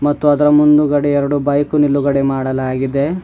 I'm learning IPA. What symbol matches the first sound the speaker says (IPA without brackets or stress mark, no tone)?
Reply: m